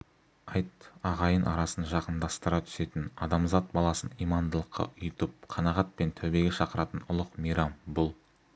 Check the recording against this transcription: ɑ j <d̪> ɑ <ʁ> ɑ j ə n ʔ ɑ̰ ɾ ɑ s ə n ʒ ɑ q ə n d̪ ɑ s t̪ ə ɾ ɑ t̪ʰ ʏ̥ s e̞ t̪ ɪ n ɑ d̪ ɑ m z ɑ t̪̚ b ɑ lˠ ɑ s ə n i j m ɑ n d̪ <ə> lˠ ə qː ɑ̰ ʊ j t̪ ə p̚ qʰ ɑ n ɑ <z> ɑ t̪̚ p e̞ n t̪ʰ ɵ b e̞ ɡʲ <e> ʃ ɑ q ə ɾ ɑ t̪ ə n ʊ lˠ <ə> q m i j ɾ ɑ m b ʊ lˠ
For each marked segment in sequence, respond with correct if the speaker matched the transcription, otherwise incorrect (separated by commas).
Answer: incorrect, correct, correct, incorrect, correct, correct